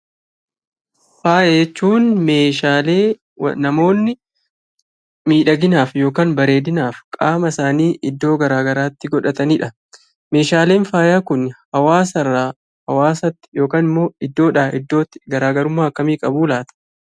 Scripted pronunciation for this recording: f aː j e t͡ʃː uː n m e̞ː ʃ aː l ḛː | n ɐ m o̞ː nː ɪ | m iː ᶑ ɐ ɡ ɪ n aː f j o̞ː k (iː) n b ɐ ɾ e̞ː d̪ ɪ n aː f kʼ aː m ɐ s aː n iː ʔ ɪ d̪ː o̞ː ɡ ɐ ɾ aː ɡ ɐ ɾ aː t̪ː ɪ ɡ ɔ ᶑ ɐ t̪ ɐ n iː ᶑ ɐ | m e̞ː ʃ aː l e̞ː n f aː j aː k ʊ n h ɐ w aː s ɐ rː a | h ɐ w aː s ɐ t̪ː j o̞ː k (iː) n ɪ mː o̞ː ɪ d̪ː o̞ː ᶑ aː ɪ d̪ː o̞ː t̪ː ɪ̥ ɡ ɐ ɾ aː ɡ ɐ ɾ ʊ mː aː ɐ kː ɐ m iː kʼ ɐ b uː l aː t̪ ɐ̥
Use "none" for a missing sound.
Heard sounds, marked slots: aː, aː

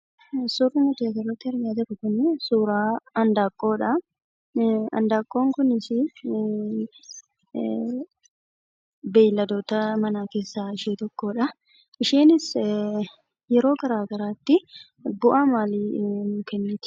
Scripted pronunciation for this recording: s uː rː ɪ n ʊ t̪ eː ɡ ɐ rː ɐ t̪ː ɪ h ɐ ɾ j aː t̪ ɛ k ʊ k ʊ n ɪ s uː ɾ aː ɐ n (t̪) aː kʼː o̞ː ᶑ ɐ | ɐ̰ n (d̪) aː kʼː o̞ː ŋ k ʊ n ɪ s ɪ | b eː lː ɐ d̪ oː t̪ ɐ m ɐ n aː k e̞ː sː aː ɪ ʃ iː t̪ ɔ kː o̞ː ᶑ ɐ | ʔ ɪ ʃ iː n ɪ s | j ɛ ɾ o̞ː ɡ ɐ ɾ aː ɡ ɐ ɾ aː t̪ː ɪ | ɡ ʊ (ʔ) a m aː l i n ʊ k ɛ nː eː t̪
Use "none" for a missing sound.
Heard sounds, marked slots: d̪, d̪, ʔ

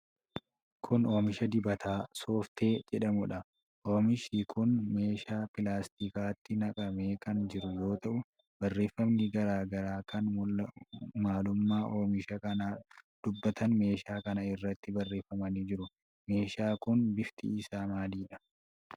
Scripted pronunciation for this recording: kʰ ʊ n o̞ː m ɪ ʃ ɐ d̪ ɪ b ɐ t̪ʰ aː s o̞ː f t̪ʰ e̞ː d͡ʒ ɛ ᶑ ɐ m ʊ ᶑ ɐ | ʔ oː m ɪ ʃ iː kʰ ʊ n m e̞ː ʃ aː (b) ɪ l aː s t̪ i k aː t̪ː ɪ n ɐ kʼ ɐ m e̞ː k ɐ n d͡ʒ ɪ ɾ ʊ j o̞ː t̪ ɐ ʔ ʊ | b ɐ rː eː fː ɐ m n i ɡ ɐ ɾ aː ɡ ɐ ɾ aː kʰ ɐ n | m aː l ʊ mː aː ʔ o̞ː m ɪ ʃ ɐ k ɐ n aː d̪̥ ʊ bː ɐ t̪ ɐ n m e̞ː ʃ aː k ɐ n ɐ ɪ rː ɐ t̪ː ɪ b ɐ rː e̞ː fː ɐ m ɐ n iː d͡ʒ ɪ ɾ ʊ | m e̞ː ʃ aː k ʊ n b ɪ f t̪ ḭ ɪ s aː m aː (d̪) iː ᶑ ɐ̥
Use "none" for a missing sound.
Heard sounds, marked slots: p, d̪

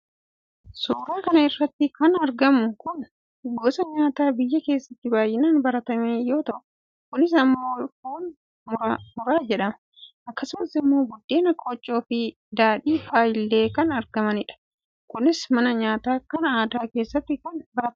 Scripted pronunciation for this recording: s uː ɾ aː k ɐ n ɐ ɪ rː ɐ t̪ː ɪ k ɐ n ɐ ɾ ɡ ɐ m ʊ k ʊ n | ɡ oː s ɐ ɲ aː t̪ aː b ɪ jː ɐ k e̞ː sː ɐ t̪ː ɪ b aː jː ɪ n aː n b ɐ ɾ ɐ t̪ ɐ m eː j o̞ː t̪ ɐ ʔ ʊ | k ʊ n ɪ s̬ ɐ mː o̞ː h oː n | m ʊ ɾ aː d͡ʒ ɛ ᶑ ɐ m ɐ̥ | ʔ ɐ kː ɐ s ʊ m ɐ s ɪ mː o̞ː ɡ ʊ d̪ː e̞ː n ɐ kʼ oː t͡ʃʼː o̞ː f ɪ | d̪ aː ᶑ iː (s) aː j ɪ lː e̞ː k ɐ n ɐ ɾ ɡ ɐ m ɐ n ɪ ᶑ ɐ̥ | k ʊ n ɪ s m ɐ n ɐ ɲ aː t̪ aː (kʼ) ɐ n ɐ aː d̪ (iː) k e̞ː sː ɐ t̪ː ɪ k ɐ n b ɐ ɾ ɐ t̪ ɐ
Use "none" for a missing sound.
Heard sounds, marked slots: f, k, aː

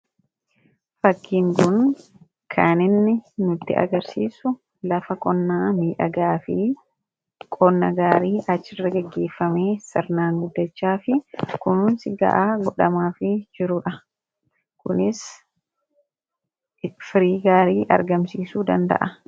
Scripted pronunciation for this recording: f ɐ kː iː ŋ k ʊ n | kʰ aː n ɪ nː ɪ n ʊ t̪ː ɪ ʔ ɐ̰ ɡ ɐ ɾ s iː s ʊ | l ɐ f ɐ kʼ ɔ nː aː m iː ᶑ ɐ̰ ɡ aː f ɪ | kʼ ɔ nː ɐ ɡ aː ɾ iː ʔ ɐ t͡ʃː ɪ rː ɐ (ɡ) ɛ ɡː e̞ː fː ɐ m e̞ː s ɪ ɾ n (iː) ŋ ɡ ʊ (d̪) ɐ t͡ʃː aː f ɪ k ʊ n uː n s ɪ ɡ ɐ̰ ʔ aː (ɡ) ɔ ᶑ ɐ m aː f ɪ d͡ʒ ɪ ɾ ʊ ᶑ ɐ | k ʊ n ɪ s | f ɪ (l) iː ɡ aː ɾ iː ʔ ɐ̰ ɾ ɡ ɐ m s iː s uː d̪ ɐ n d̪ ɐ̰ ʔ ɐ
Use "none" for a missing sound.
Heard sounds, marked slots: ɡ, aː, d̪ː, ɡ, ɾ

